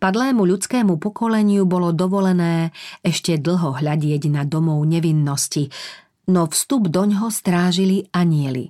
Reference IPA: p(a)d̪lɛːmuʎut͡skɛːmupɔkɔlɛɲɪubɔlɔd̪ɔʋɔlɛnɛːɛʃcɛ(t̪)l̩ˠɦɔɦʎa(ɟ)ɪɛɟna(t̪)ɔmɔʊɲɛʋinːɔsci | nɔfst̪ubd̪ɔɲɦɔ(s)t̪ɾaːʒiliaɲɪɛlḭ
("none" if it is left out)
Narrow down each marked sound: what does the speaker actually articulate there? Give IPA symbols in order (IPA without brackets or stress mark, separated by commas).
a, d̪, ɟ, d̪, s